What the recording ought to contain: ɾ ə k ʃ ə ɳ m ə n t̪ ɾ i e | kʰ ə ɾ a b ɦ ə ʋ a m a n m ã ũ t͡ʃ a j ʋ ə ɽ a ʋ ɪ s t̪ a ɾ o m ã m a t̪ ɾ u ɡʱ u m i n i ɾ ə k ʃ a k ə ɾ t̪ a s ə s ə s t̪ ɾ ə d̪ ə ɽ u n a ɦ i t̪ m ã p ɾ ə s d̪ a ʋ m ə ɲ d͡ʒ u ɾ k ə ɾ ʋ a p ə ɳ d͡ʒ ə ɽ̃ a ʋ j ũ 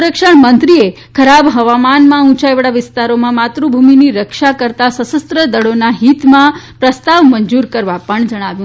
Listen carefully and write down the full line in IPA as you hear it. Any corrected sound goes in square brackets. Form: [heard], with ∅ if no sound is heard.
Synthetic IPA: ɾ ə k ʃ ə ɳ m ə n t̪ ɾ i e | kʰ ə ɾ a b ɦ ə ʋ a m a n m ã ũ t͡ʃ a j ʋ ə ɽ a ʋ ɪ s t̪ a ɾ o m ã m a t̪ ɾ u [bʱ] u m i n i ɾ ə k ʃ a k ə ɾ t̪ a s ə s ə s t̪ ɾ ə d̪ ə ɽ [o] n a ɦ i t̪ m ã p ɾ ə s [t̪] a ʋ m ə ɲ d͡ʒ u ɾ k ə ɾ ʋ a p ə ɳ d͡ʒ ə ɽ̃ a ʋ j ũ

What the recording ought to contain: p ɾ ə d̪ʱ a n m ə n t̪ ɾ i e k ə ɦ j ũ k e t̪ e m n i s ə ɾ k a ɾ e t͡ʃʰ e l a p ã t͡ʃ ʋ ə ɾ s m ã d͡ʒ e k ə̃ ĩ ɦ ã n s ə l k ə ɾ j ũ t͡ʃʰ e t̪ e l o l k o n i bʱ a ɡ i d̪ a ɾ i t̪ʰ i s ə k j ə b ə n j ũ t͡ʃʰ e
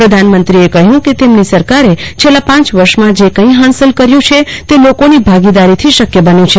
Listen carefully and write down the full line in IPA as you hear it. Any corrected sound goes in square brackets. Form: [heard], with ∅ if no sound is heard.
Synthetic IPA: p ɾ ə d̪ʱ a n m ə n t̪ ɾ i e k ə ɦ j ũ k e t̪ e m n i s ə ɾ k a ɾ e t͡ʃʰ e l a p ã t͡ʃ ʋ ə ɾ [ʃ] m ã d͡ʒ e k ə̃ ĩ ɦ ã n s ə l k ə ɾ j ũ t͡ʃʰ e t̪ e l o [∅] k o n i bʱ a ɡ i d̪ a ɾ i t̪ʰ i [ʃ] ə k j ə b ə n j ũ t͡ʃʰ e

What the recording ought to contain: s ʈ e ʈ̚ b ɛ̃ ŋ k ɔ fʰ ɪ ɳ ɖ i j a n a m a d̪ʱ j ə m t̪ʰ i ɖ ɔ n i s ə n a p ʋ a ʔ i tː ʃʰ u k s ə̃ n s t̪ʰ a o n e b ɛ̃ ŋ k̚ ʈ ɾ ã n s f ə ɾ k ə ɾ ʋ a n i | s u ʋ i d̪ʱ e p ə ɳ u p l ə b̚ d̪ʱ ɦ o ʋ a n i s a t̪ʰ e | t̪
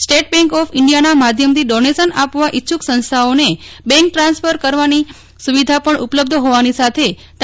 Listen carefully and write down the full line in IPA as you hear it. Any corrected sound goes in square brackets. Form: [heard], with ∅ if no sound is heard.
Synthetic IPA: s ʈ e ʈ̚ b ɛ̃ ŋ k ɔ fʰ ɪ ɳ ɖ i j a n a m a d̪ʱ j ə m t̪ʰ i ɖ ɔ n [e] s ə n a p ʋ a ʔ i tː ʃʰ u k s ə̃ n s t̪ʰ a o n e b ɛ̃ ŋ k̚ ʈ ɾ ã n s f ə ɾ k ə ɾ ʋ a n i | s u ʋ i d̪ʱ [a] p ə ɳ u p l ə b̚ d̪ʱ ɦ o ʋ a n i s a t̪ʰ e | t̪

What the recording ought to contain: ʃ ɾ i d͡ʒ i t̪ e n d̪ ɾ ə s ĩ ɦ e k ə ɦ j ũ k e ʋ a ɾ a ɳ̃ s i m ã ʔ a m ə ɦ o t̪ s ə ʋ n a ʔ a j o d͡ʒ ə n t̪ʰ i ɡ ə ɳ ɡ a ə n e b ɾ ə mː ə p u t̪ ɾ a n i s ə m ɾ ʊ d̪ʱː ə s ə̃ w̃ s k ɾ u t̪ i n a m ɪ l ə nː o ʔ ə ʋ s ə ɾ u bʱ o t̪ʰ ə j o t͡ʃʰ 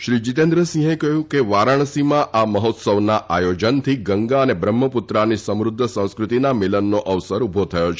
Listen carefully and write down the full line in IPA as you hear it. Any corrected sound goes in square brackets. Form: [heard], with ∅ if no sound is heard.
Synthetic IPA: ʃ ɾ i d͡ʒ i t̪ e n d̪ ɾ ə s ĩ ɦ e k ə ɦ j ũ k e ʋ a ɾ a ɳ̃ s i m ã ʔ a m ə ɦ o t̪ s ə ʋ n a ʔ a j o d͡ʒ ə n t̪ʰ i ɡ ə [ŋ] ɡ a ə n e b ɾ ə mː ə p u t̪ ɾ a n i s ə m ɾ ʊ d̪ʱː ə s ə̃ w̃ s k ɾ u t̪ i n a m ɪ l ə nː o ʔ ə ʋ s ə ɾ u bʱ o t̪ʰ ə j o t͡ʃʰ

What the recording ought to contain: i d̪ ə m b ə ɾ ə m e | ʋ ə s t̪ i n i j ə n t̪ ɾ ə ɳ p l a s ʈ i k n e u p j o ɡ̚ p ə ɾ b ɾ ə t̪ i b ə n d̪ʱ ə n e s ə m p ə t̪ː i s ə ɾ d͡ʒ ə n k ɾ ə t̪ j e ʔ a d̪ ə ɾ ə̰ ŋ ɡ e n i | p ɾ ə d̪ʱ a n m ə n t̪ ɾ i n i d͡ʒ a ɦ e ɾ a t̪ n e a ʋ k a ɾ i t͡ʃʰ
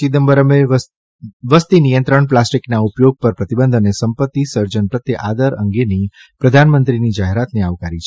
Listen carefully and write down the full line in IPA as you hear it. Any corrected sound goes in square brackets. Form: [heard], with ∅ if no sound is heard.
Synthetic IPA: i d̪ ə m b ə ɾ ə m e | ʋ ə s t̪ i n i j ə n t̪ ɾ ə ɳ p l a s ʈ i k n [a] u p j o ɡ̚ p ə ɾ [p] ɾ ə t̪ i b ə n d̪ʱ ə n e s ə m p ə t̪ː i s ə ɾ d͡ʒ ə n [p] ɾ ə t̪ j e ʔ a d̪ ə ɾ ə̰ ŋ ɡ e n i | p ɾ ə d̪ʱ a n m ə n t̪ ɾ i n i d͡ʒ a ɦ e ɾ a t̪ n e a ʋ k a ɾ i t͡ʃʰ

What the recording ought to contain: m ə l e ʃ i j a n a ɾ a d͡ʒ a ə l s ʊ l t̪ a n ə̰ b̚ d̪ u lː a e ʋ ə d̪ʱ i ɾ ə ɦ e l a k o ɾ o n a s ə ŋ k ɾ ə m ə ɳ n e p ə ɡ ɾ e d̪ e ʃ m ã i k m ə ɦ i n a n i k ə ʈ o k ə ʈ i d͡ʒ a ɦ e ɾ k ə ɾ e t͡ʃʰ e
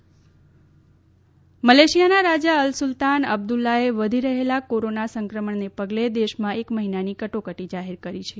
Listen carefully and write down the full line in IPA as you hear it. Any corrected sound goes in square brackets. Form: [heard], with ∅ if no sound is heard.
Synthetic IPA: m ə l e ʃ i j a n a ɾ a d͡ʒ a ə l s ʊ l t̪ a n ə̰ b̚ d̪ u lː a e ʋ ə d̪ʱ i ɾ ə ɦ e l a k o ɾ o n a s ə ŋ k ɾ ə m ə ɳ n e p ə ɡ [l] e d̪ e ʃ m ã [e] k m ə ɦ i n a n i k ə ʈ o k ə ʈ i d͡ʒ a ɦ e ɾ k ə ɾ [i] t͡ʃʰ e

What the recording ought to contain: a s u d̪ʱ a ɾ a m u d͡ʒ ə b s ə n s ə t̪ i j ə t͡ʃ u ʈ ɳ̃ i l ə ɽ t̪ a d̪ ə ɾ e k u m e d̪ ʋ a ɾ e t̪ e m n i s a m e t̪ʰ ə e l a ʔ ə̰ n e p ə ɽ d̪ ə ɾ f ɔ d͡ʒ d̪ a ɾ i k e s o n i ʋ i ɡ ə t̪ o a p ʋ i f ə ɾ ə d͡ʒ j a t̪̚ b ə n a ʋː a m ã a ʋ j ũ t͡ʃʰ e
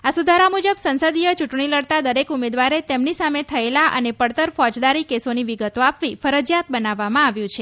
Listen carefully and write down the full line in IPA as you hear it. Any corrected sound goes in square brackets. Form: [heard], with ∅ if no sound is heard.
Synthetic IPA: a s u d̪ʱ a ɾ a m u d͡ʒ ə b s ə n s ə [d̪] i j ə t͡ʃ u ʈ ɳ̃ i l ə ɽ t̪ a d̪ ə ɾ e k u m e d̪ ʋ a ɾ e t̪ e m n i s a m e t̪ʰ ə e l a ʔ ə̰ n e p ə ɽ [t̪] ə ɾ f ɔ d͡ʒ d̪ a ɾ i k e s o n i ʋ i ɡ ə t̪ o a p ʋ i f ə ɾ ə d͡ʒ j a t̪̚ b ə n a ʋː a m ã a ʋ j ũ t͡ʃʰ e

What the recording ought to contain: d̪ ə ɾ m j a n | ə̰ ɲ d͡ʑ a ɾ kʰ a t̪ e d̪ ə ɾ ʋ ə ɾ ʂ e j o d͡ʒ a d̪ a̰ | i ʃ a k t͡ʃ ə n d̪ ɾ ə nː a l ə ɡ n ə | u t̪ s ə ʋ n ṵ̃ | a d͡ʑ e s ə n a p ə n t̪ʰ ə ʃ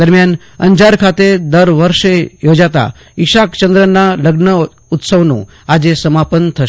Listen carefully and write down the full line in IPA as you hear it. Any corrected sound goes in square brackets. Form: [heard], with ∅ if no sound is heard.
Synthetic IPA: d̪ ə ɾ m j a n | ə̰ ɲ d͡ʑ a ɾ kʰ a t̪ e d̪ ə ɾ ʋ ə ɾ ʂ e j o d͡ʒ a [t̪] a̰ | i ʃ a k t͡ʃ ə n d̪ ɾ ə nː a l ə ɡ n ə | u t̪ s ə ʋ n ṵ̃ | a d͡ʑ e s ə [m] a p ə n t̪ʰ ə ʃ

